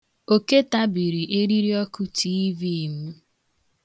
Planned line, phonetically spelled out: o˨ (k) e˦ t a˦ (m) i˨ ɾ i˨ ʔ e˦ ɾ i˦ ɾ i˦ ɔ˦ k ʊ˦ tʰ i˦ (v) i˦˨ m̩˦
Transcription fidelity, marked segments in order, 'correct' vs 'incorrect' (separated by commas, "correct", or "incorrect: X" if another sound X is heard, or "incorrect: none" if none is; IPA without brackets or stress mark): correct, incorrect: b, correct